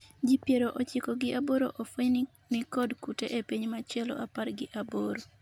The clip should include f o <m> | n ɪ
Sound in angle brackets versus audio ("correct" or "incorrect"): incorrect